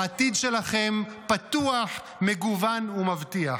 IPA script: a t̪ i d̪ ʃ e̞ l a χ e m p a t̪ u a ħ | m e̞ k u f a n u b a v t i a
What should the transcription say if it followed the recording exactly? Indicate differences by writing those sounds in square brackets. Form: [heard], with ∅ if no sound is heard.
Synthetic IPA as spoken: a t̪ i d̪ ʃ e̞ l a χ e m p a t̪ u a ħ | m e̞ [ɡ] u [v] a n u [m] a v t i a